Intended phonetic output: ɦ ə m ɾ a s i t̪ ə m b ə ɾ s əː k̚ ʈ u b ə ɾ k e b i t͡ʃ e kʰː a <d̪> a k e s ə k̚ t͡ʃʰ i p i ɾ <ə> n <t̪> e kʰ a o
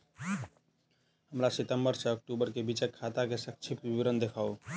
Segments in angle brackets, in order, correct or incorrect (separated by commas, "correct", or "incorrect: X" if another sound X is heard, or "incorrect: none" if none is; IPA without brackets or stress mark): incorrect: t̪, correct, incorrect: d̪